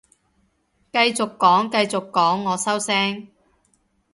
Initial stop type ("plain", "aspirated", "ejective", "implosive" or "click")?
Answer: plain